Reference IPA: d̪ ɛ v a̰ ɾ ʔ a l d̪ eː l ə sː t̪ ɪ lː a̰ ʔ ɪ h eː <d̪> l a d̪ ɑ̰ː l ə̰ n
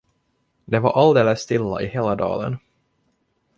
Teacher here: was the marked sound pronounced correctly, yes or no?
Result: no